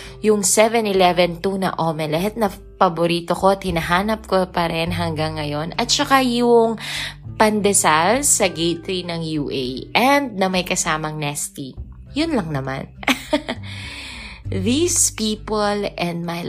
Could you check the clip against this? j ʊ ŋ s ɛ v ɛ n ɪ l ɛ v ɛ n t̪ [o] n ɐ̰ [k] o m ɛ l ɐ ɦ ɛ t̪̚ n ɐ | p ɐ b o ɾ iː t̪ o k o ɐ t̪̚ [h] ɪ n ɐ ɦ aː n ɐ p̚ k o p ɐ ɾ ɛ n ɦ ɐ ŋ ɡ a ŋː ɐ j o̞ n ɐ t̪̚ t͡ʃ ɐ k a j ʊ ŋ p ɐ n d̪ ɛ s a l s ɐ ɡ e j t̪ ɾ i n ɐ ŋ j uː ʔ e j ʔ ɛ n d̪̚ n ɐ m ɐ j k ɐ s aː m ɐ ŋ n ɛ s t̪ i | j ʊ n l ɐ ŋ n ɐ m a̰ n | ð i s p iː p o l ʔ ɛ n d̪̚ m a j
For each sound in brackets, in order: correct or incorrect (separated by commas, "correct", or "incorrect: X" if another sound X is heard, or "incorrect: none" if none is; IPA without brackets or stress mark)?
incorrect: u, incorrect: ʔ, correct